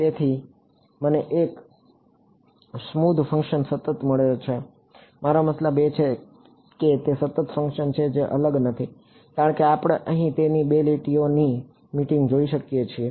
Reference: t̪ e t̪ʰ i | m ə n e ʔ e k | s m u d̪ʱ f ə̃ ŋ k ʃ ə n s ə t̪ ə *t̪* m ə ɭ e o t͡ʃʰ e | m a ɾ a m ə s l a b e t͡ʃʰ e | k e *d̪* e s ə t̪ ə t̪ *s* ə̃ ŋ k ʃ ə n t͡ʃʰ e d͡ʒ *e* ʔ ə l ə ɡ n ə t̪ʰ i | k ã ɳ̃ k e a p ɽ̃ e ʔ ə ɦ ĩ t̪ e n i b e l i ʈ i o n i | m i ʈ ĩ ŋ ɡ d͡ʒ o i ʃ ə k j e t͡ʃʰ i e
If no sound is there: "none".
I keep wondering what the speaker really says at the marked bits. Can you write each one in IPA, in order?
t̪, t̪, f, e

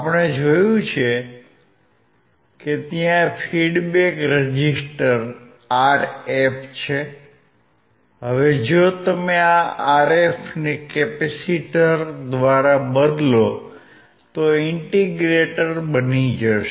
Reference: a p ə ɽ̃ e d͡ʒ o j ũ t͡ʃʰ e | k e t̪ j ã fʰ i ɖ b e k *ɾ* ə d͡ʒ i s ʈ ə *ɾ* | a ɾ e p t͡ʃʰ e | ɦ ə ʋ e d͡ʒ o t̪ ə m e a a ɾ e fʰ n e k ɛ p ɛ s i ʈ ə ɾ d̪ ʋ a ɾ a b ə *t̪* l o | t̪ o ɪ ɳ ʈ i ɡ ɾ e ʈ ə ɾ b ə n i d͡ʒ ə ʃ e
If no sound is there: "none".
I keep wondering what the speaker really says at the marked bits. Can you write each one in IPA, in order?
ɾ, ɾ, d̪

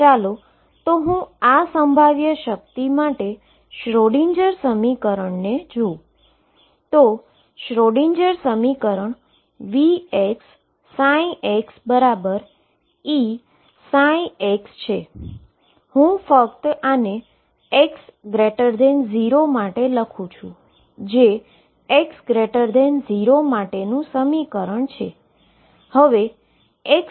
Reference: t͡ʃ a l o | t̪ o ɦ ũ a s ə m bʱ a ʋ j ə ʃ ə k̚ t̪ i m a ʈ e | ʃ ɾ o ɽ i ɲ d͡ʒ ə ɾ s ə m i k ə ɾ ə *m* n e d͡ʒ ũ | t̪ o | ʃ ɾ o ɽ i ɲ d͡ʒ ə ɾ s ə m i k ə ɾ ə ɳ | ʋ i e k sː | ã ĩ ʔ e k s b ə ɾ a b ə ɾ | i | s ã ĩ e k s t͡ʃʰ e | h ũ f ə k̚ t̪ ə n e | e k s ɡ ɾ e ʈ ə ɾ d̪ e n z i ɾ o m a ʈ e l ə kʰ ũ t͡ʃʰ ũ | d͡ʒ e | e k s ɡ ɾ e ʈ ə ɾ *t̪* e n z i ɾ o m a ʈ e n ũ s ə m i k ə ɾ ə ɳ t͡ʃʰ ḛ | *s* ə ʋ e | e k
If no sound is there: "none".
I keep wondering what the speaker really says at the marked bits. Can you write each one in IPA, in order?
ɳ, d̪, h

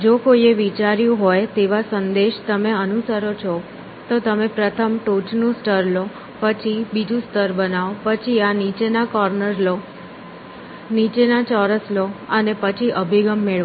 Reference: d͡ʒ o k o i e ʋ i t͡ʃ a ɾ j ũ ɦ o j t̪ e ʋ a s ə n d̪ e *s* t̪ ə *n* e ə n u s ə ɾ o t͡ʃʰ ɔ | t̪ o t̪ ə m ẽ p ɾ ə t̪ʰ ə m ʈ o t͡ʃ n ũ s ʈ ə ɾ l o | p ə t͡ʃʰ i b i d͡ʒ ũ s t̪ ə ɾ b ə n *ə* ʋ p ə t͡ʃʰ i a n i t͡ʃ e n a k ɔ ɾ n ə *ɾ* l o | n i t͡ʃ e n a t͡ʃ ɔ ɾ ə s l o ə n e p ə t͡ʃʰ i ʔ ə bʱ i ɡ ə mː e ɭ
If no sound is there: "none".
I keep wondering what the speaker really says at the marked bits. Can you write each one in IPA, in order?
ʃ, m, a, ɾ

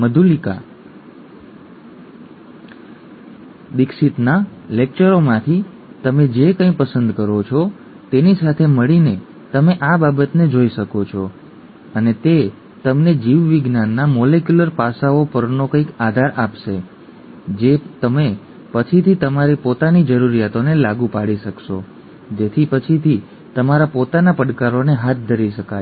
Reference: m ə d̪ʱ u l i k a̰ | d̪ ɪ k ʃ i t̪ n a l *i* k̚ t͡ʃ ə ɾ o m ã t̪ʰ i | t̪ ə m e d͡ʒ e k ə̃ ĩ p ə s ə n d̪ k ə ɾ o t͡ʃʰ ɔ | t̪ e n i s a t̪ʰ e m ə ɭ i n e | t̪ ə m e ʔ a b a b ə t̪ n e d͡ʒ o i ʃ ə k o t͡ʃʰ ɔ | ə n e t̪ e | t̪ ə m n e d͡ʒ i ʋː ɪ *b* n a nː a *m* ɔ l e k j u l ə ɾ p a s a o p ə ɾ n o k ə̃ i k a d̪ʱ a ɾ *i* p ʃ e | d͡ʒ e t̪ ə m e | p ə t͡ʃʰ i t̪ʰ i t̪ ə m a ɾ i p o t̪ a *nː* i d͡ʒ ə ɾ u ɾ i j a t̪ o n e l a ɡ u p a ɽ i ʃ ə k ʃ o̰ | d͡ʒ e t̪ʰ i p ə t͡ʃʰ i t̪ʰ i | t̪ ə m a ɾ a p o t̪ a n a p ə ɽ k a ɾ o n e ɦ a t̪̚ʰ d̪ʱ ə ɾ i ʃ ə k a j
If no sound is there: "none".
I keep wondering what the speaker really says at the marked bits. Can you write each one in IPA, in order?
e, ɡ, m, a, n

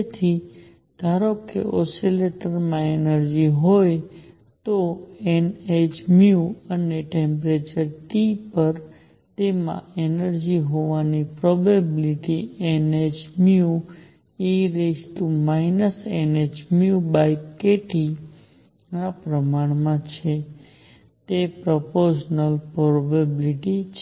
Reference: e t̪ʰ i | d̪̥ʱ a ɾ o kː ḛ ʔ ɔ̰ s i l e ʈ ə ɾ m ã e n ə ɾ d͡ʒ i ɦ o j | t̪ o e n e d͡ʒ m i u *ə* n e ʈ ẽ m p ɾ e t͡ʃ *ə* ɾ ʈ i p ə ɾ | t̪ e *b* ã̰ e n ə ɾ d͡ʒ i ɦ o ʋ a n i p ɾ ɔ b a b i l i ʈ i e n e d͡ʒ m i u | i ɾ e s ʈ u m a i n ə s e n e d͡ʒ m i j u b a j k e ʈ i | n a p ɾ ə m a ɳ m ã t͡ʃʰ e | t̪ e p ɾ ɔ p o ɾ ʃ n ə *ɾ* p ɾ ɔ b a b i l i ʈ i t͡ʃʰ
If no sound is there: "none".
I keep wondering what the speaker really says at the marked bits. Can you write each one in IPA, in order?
ə, ə, m, l

